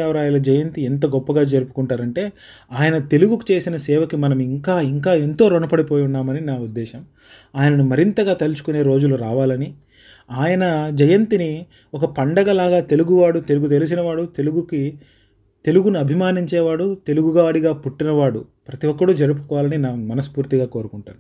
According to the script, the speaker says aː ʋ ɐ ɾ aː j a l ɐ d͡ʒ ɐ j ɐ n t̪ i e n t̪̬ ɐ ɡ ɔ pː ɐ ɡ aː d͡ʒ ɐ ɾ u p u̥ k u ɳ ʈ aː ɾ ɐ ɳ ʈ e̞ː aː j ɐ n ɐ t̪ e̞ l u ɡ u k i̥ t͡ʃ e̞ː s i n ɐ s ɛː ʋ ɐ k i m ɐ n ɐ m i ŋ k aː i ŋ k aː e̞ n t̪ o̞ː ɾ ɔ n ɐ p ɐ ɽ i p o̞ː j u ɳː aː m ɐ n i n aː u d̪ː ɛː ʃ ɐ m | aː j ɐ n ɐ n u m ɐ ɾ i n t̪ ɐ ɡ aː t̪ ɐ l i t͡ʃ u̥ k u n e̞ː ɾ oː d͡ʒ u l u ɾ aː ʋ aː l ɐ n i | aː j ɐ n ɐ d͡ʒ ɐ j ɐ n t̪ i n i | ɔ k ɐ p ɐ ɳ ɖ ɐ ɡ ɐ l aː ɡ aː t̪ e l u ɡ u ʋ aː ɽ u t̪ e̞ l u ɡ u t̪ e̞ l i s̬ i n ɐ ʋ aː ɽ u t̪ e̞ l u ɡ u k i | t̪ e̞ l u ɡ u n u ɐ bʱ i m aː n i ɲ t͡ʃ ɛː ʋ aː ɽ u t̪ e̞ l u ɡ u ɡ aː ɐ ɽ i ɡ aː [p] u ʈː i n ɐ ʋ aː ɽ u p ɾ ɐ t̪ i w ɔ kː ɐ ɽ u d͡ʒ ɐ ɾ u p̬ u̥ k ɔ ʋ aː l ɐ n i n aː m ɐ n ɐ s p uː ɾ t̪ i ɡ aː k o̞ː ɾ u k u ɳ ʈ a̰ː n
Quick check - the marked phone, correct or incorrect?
correct